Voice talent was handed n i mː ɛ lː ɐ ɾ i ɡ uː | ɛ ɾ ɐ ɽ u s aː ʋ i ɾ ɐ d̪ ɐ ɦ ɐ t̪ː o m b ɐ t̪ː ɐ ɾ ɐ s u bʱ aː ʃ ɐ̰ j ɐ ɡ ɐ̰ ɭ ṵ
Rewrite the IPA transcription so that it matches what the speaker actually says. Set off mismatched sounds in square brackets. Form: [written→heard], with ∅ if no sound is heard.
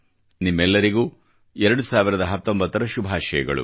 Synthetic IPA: n i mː ɛ lː ɐ ɾ i ɡ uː | ɛ ɾ ɐ ɽ u s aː ʋ i ɾ ɐ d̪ ɐ ɦ ɐ t̪ː o m b ɐ t̪ː ɐ ɾ ɐ [s→ʃ] u bʱ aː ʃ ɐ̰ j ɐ ɡ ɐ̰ ɭ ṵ